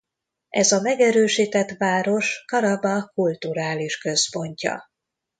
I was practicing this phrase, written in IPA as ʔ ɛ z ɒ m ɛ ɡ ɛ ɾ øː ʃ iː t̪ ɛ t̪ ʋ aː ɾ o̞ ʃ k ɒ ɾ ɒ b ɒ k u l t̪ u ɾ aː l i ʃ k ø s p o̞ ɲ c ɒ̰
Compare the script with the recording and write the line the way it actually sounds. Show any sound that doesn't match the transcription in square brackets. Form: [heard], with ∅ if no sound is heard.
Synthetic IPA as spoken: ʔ ɛ z ɒ m ɛ ɡ ɛ ɾ øː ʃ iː t̪ ɛ t̪ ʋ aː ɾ o̞ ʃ k ɒ ɾ ɒ b ɒ k u l t̪ u ɾ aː l i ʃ k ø s p o̞ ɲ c ɒ̰